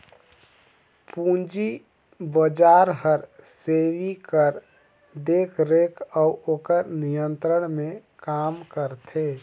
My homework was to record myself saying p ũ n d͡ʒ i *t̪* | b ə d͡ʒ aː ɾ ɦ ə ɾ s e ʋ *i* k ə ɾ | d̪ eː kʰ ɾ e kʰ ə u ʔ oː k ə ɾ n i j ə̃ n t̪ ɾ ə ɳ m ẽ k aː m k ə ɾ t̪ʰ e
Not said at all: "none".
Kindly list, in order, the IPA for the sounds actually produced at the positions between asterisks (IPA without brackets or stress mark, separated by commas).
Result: none, i